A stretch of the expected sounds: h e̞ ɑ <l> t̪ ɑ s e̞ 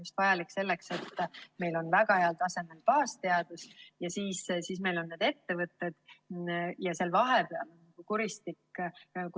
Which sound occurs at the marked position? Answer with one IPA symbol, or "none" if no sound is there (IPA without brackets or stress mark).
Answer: l